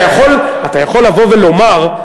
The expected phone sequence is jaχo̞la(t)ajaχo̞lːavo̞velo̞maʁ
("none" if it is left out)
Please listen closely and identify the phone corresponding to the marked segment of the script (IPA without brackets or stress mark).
t